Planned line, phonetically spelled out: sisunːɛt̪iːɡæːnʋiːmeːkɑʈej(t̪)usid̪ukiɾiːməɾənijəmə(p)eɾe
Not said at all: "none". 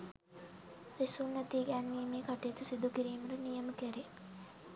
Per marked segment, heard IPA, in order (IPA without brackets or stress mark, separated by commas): t̪, k